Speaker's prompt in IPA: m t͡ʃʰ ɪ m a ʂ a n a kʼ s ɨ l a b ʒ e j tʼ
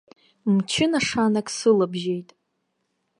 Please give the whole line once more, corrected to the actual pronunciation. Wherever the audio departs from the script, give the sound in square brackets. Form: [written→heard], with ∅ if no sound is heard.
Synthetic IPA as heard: m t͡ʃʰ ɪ [m→n] a ʂ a n a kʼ s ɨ l a b ʒ e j tʼ

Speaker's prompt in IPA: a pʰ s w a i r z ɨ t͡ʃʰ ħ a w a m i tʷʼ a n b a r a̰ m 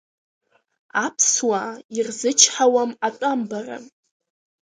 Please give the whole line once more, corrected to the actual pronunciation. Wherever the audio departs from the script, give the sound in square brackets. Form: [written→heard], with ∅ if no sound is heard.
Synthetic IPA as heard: a pʰ s w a i r z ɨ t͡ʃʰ ħ a w a m [i→a] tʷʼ a [n→m] b a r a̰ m

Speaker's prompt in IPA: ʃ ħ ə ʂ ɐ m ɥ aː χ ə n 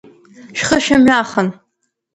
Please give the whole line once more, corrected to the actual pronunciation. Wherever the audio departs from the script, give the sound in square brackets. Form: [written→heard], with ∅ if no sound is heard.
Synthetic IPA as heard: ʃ [ħ→χ] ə [ʂ→ʃ] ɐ m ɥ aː χ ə n

